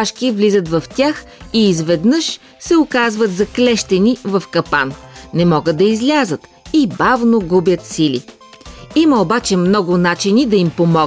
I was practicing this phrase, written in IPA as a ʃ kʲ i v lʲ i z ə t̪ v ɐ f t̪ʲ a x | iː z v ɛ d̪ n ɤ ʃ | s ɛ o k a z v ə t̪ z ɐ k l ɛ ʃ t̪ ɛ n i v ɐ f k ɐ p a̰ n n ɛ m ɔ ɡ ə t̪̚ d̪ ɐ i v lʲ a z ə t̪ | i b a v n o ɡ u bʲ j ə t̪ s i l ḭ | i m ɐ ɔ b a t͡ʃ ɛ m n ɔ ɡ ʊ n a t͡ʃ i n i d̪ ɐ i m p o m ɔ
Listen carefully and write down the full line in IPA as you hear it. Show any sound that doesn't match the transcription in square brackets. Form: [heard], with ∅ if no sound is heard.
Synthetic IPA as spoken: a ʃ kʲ i v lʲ i z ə t̪ v ɐ f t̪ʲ a x | iː z v ɛ d̪ n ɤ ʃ | s ɛ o k a z v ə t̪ z ɐ k l ɛ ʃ t̪ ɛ n i v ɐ f k ɐ p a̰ n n ɛ m ɔ ɡ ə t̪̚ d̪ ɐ i [z] lʲ a z ə t̪ | i b a v n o ɡ u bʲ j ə t̪ s i l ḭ | i m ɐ [o] b a t͡ʃ ɛ m n ɔ ɡ ʊ n a t͡ʃ i n i d̪ ɐ i m p o m ɔ